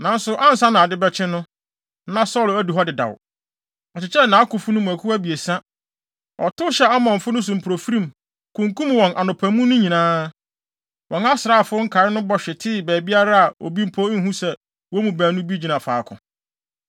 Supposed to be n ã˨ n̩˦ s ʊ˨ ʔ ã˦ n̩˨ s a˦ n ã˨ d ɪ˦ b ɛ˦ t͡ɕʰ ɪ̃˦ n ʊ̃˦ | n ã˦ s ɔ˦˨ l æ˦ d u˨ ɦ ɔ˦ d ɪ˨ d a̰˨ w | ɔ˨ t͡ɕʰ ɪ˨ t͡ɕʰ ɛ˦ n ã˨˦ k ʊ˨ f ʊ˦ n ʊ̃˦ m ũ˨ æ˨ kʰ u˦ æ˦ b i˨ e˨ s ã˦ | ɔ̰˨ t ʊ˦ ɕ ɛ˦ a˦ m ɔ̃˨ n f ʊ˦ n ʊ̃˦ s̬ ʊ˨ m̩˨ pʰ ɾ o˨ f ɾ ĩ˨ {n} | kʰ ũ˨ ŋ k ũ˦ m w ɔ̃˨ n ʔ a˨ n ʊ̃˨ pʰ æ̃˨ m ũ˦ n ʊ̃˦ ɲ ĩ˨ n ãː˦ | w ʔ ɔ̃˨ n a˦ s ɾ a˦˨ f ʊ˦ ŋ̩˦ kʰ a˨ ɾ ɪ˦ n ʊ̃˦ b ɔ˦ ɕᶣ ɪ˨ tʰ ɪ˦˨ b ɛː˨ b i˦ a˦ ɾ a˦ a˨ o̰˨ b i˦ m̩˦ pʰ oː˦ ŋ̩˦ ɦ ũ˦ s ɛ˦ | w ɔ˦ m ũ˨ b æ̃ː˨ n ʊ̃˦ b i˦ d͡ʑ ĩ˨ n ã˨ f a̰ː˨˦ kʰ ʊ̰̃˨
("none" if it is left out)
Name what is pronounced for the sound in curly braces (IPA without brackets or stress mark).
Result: m